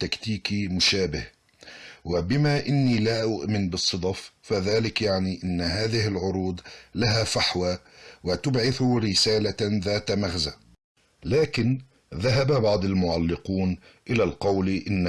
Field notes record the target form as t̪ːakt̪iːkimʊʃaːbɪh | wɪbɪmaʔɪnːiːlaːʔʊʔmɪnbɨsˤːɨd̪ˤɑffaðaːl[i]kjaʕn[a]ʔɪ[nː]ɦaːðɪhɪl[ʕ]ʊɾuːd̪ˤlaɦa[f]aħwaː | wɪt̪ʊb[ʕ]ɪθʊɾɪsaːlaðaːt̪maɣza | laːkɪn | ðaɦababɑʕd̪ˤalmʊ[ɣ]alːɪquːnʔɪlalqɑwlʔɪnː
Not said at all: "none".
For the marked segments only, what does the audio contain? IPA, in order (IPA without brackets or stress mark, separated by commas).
ɪ, i, nː, ʕ, f, ʕ, ʕ